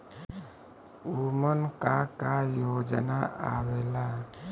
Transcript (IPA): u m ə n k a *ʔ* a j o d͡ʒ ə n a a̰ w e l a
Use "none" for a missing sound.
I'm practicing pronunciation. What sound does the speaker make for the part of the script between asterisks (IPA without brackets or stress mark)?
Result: k